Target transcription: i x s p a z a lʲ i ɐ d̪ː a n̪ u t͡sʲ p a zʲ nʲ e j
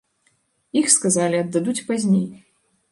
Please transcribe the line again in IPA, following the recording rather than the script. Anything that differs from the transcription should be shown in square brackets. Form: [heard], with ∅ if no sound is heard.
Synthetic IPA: i x s [k] a z a lʲ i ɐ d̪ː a [d̪] u t͡sʲ p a zʲ nʲ e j